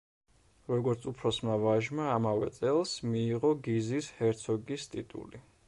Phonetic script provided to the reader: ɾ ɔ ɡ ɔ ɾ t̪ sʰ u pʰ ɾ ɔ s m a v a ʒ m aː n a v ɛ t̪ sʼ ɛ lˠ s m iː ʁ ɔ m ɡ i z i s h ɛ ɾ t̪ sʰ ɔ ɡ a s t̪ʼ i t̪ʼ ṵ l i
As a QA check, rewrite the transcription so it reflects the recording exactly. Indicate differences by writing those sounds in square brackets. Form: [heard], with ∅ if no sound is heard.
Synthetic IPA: ɾ ɔ ɡ ɔ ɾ t̪ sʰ u pʰ ɾ ɔ s m a v a ʒ m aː [m] a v ɛ t̪ sʼ ɛ lˠ s m iː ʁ ɔ [∅] ɡ i z i s h ɛ ɾ t̪ sʰ ɔ ɡ [i] s t̪ʼ i t̪ʼ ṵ l i